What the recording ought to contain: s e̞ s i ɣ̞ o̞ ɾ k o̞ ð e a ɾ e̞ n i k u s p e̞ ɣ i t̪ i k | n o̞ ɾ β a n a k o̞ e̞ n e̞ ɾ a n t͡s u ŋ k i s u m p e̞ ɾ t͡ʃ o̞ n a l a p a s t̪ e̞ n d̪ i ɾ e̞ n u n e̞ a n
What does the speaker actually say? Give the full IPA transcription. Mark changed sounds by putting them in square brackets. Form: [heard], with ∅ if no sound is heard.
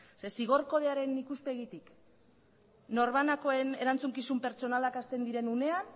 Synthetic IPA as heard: s e̞ s i ɣ̞ o̞ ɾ k o̞ ð e a ɾ e̞ n i k u s p e̞ ɣ i t̪ i k | n o̞ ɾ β a n a k o̞ e̞ n e̞ ɾ a n t͡s u ŋ k i s u m p e̞ ɾ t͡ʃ o̞ n a l a [k] a s t̪ e̞ n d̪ i ɾ e̞ n u n e̞ a n